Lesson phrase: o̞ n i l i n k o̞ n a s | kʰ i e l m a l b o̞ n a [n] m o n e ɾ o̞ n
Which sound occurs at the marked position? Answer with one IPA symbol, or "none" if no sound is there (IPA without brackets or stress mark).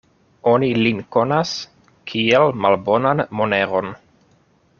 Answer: n